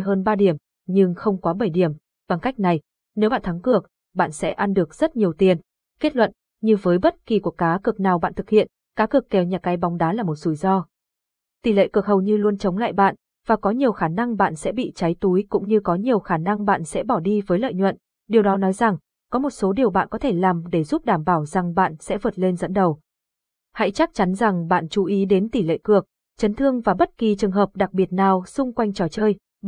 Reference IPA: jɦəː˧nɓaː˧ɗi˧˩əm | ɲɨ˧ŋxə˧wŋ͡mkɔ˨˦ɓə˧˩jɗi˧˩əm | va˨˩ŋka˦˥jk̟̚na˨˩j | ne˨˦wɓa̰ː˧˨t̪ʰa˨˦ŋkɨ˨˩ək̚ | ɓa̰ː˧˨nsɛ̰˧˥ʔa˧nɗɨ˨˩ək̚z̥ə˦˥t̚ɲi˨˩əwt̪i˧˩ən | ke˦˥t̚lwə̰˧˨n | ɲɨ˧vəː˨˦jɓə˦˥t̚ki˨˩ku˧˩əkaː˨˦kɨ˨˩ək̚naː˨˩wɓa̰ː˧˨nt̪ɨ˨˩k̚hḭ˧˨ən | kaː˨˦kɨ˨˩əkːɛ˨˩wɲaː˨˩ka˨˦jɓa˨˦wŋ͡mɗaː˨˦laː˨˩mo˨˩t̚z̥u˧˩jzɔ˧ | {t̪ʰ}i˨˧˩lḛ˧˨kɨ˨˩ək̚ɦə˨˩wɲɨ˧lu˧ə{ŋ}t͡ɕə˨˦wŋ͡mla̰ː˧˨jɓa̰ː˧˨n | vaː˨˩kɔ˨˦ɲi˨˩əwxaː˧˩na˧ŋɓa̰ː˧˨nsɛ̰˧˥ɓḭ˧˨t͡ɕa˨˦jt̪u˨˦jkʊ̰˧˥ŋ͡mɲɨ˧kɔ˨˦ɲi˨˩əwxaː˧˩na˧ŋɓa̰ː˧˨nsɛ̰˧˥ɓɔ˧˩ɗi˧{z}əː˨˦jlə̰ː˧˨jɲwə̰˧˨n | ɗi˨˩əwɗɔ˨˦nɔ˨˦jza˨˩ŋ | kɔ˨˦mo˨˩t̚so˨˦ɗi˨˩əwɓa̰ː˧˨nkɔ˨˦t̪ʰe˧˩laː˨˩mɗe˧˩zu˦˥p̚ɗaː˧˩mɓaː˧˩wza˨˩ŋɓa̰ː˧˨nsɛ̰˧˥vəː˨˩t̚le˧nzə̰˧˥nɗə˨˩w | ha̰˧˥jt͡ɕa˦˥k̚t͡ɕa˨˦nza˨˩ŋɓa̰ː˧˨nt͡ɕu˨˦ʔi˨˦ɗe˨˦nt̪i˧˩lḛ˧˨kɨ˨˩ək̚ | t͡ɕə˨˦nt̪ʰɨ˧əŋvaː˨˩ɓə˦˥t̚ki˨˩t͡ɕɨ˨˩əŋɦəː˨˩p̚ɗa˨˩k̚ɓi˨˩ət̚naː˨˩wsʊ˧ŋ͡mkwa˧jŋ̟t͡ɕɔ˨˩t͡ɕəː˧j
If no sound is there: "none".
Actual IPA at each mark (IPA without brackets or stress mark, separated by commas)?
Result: t̪, n, v